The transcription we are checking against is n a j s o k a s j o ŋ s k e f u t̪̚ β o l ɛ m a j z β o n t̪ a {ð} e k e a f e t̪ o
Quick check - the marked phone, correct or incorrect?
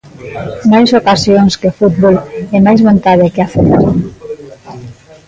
correct